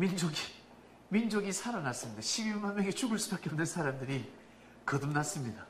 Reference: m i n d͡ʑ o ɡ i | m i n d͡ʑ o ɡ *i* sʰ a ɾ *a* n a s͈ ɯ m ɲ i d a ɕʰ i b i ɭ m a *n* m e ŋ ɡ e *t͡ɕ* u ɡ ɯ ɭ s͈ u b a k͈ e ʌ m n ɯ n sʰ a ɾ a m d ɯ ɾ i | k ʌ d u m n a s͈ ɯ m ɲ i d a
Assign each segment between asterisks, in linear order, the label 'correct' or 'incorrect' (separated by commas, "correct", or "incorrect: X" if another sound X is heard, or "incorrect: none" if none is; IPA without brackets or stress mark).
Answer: correct, correct, correct, correct